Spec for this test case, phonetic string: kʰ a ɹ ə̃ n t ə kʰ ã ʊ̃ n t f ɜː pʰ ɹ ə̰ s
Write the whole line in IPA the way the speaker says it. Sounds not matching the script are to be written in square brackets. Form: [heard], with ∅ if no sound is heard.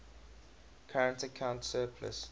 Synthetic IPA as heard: kʰ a ɹ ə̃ n t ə kʰ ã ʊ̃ n t [s] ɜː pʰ [l] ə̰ s